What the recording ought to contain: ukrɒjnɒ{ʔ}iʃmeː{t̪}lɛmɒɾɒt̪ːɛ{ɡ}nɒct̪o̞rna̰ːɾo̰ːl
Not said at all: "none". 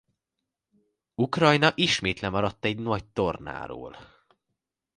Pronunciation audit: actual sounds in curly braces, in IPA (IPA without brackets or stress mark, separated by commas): ʔ, t̪, ɟ